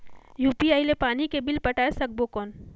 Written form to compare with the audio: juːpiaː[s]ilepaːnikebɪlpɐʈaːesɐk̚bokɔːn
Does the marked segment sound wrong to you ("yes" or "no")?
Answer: yes